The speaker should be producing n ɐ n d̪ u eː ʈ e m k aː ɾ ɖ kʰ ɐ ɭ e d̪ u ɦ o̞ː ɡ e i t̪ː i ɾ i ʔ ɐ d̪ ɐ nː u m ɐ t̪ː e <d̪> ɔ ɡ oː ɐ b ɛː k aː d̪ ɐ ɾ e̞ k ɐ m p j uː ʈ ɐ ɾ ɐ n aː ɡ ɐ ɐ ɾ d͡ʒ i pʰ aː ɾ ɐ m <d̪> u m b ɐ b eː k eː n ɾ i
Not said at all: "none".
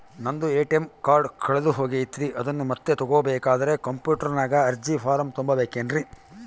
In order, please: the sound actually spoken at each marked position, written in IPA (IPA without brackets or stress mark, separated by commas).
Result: t̪, t̪